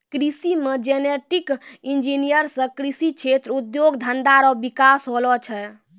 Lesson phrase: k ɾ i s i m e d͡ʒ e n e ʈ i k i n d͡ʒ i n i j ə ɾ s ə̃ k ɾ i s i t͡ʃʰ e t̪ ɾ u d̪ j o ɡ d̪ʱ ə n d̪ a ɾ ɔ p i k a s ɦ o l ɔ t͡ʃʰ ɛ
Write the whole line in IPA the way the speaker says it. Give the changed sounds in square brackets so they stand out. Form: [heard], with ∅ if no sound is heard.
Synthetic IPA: k ɾ i s i m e d͡ʒ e n e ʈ i k i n d͡ʒ i n i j ə ɾ s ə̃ k ɾ i s i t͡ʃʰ e t̪ ɾ u d̪ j o ɡ d̪ʱ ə n d̪ a ɾ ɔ [b] i k a s ɦ o l ɔ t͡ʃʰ ɛ